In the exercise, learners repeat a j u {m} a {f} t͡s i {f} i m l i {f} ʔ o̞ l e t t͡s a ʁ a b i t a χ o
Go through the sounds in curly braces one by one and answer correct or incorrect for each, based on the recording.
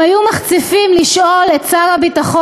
correct, incorrect: χ, correct, incorrect: ʃ

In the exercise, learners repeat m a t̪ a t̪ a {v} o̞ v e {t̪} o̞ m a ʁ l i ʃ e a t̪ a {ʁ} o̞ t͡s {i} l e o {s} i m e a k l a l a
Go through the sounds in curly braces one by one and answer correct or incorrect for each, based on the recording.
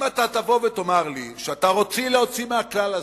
correct, correct, correct, correct, incorrect: t͡s

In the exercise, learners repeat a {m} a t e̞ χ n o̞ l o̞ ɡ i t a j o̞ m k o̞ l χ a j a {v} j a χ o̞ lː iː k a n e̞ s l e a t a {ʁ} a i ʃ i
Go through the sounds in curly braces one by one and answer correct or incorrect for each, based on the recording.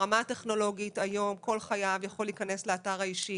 correct, correct, correct

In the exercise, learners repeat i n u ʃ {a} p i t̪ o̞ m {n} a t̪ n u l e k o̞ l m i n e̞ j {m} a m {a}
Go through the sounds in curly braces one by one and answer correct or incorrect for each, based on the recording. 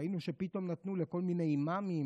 incorrect: e, correct, correct, incorrect: i

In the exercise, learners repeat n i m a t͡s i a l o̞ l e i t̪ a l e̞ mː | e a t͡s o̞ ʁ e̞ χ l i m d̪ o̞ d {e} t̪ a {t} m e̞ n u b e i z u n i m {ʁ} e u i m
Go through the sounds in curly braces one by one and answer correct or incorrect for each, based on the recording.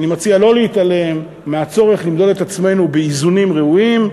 correct, incorrect: t͡s, correct

